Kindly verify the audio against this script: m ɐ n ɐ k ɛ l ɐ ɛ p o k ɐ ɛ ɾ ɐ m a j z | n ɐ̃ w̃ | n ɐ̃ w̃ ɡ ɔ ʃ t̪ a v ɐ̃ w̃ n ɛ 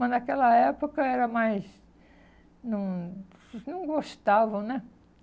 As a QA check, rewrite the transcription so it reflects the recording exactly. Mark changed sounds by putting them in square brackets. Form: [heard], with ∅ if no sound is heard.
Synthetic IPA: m ɐ n ɐ k ɛ l ɐ ɛ p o k ɐ ɛ ɾ ɐ m a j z | n ɐ̃ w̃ | n ɐ̃ w̃ ɡ [o] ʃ t̪ a v ɐ̃ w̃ n ɛ